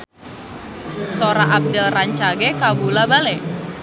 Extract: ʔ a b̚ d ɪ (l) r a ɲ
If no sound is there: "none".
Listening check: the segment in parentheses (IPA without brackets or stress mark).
l